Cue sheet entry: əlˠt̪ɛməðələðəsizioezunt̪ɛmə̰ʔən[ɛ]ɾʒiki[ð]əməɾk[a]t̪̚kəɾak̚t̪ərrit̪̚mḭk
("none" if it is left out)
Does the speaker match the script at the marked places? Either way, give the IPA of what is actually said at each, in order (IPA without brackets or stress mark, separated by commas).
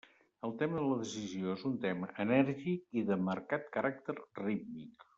ɛ, ð, a